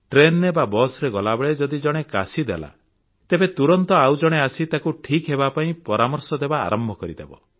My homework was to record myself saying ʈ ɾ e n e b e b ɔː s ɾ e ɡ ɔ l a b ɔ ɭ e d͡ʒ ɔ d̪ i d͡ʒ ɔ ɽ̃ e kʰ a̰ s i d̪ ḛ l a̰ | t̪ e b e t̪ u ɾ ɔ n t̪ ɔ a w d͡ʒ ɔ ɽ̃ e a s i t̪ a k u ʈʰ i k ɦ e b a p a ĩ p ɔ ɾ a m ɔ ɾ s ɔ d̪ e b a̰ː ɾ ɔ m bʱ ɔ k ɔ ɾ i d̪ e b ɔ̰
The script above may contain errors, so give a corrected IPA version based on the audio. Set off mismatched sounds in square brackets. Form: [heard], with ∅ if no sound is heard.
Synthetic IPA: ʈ ɾ e n e b [a] b [ɔ] s ɾ e ɡ ɔ l a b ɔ ɭ e d͡ʒ ɔ d̪ i d͡ʒ ɔ ɽ̃ e [k] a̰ s i d̪ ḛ l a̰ | t̪ e b e t̪ u ɾ ɔ n t̪ ɔ a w d͡ʒ ɔ ɽ̃ e a s i t̪ a k u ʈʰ i k ɦ e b a p a ĩ p ɔ ɾ a m ɔ ɾ s ɔ d̪ e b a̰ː ɾ ɔ m bʱ ɔ k ɔ ɾ i d̪ e b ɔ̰

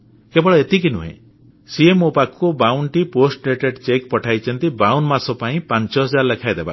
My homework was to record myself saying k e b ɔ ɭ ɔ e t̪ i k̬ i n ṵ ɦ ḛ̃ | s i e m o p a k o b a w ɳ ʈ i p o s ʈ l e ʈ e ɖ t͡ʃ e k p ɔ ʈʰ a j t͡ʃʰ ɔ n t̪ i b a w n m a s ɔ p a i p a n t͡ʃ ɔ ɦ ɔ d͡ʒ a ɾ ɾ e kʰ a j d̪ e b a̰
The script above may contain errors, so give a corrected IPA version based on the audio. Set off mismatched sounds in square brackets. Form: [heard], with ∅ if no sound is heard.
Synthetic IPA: k e b ɔ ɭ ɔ e t̪ i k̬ i n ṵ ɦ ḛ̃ | s i e m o p a k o b a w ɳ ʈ i p o s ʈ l e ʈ e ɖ t͡ʃ e k p ɔ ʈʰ a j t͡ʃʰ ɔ n t̪ i b a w n m a s ɔ p a [ĩ] p a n t͡ʃ ɔ ɦ ɔ d͡ʒ a ɾ [l] e kʰ a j d̪ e b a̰

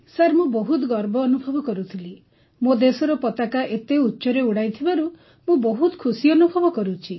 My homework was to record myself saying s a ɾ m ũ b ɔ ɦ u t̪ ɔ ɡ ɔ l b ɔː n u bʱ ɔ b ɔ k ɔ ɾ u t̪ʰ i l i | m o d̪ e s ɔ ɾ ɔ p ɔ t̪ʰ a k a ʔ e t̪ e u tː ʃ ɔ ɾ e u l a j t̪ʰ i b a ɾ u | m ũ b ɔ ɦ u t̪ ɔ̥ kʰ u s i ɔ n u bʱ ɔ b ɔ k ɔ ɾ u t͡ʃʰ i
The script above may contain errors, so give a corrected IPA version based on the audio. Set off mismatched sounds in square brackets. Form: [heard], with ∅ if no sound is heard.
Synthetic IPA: s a ɾ m ũ b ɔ ɦ u t̪ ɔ ɡ ɔ [ɾ] b ɔː n u bʱ ɔ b ɔ k ɔ ɾ u t̪ʰ i l i | m o d̪ e s ɔ ɾ ɔ p ɔ [t̪] a k a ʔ e t̪ e u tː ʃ ɔ ɾ e u [ɽ] a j t̪ʰ i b a ɾ u | m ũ b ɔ ɦ u t̪ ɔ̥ kʰ u s i ɔ n u bʱ ɔ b ɔ k ɔ ɾ u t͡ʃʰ i

